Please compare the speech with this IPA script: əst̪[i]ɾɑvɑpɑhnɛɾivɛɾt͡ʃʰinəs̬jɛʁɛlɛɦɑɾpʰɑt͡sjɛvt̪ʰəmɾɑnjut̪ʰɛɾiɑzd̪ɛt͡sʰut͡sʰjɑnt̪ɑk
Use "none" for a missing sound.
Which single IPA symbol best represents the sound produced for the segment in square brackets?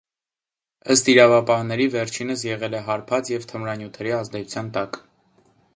i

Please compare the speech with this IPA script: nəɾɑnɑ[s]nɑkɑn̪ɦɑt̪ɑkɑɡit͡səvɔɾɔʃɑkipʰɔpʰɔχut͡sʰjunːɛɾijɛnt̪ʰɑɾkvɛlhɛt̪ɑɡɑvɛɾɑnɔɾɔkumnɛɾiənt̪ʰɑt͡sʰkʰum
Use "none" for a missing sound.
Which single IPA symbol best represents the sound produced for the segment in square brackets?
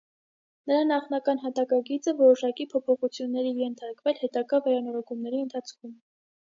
χ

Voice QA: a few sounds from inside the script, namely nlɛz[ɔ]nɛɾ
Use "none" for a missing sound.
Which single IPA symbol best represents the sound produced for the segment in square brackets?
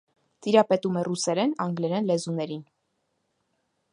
u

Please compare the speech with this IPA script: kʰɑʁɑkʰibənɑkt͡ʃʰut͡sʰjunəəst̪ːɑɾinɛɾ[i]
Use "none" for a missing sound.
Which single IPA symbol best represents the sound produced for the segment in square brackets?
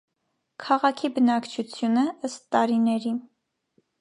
i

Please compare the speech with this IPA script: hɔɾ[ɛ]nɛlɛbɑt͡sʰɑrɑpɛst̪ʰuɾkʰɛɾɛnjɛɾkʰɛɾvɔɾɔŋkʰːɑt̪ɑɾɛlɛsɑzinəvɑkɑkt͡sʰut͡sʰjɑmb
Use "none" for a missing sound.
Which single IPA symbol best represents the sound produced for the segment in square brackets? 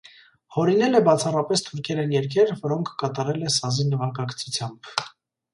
i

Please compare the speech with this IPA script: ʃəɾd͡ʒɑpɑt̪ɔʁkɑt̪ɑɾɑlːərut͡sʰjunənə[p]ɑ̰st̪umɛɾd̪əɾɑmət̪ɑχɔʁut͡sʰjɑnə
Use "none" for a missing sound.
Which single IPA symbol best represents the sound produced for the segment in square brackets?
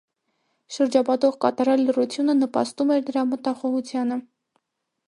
p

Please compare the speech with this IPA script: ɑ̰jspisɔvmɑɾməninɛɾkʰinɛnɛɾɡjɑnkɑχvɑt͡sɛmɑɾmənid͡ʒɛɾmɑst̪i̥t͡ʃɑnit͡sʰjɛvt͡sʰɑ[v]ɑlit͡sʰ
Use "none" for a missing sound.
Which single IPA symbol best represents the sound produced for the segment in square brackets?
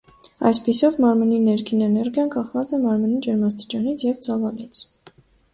v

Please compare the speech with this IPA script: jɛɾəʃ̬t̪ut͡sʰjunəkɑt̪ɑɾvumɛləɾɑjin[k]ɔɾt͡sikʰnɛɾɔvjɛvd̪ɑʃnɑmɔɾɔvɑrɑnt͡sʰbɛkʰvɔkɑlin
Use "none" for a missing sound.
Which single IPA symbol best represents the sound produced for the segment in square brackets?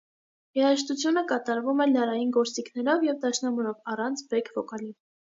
ɡ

